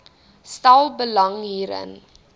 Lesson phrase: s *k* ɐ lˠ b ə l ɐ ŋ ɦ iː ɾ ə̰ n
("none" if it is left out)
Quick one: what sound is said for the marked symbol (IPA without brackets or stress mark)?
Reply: t